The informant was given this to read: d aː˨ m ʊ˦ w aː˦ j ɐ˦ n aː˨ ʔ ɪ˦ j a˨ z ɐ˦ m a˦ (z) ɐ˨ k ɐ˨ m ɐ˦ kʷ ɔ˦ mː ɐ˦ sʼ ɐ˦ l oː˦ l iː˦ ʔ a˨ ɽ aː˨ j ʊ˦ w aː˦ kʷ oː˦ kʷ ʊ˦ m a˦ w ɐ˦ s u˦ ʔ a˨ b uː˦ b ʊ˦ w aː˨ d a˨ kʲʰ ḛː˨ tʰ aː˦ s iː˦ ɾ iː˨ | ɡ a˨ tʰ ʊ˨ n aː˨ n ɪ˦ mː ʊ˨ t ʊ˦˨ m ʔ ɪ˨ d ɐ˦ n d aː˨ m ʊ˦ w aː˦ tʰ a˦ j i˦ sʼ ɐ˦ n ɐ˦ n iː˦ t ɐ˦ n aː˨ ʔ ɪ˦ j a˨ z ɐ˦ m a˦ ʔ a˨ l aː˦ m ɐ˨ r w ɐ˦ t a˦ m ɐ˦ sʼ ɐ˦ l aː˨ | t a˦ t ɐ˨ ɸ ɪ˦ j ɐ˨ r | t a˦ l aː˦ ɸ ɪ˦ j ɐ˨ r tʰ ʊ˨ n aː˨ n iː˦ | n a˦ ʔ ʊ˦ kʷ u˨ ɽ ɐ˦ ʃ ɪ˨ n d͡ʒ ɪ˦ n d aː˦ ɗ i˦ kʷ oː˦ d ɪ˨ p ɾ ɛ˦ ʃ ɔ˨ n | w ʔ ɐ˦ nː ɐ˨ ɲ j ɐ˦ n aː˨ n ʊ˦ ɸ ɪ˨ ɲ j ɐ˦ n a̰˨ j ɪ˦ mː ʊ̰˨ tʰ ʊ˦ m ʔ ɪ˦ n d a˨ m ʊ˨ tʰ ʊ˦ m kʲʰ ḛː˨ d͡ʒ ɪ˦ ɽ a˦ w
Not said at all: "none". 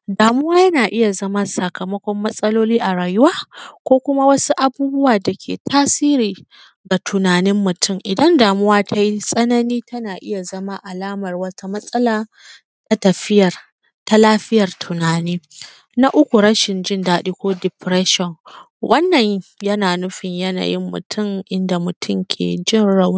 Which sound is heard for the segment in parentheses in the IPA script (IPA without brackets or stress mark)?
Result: s